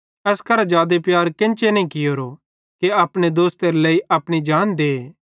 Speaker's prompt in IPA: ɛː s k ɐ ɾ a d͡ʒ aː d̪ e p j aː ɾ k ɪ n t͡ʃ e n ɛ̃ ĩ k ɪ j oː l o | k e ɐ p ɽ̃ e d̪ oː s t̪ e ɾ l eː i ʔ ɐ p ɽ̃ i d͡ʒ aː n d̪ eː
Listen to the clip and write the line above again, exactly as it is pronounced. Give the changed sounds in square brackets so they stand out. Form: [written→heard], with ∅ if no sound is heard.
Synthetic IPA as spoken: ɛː s k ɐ ɾ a d͡ʒ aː d̪ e p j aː ɾ k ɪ n t͡ʃ e n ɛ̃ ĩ k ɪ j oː [l→ɾ] o | k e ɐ p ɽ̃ e d̪ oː s t̪ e ɾ l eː i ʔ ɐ p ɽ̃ i d͡ʒ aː n d̪ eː